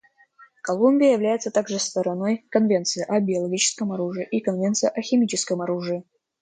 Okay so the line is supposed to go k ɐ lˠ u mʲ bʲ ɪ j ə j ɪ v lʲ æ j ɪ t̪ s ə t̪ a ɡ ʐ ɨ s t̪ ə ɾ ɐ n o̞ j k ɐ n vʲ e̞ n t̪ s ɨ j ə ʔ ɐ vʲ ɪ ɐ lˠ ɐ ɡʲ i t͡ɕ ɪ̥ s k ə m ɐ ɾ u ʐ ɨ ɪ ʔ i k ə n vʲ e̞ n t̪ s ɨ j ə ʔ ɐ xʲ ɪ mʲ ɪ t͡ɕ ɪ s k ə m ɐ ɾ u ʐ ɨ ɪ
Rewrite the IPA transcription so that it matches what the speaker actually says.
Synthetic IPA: k ɐ lˠ u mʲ bʲ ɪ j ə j ɪ v lʲ æ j ɪ t̪ s ə t̪ a ɡ ʐ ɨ s t̪ ə ɾ ɐ n o̞ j k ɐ n vʲ e̞ n t̪ s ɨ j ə ʔ ɐ bʲ ɪ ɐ lˠ ɐ ɡʲ i t͡ɕ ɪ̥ s k ə m ɐ ɾ u ʐ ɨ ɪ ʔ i k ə n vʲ e̞ n t̪ s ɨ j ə ʔ ɐ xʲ ɪ mʲ i t͡ɕ ɪ s k ə m ɐ ɾ u ʐ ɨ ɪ

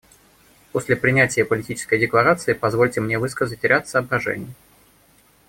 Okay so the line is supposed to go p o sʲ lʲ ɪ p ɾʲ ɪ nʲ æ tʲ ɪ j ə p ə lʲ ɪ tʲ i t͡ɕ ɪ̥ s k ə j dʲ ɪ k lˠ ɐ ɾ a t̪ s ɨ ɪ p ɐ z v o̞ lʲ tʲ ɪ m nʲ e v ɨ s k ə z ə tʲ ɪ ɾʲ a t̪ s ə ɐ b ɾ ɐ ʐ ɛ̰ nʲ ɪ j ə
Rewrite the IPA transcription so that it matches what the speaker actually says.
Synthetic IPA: p o sʲ lʲ ɪ p ɾʲ ɪ nʲ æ tʲ ɪ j ə p ə lʲ ɪ tʲ i t͡ɕ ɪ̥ s k ə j dʲ ɪ k lˠ ɐ ɾ a t̪ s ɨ ɪ p ɐ z v o̞ lʲ tʲ ɪ m nʲ e v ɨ s k ə z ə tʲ ɪ ɾʲ a t̪ s ə ɐ b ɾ ɐ ʐ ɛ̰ nʲ ɪ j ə

